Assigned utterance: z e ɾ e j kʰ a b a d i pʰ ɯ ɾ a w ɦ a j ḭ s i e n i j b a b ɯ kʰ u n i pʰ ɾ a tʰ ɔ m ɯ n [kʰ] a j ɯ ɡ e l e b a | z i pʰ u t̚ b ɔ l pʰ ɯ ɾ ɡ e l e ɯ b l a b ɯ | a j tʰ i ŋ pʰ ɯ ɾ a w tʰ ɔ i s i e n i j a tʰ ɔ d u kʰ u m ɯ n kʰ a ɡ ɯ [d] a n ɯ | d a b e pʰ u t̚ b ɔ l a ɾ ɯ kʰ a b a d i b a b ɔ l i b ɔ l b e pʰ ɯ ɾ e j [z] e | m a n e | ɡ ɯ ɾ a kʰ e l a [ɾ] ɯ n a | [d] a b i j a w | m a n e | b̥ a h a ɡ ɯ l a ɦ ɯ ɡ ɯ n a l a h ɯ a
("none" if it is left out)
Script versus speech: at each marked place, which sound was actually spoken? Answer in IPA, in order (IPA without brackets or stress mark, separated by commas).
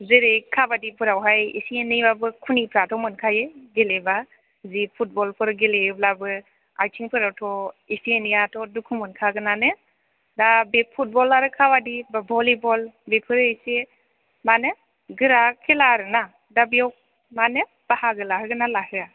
kʰ, n, s, ɾ, d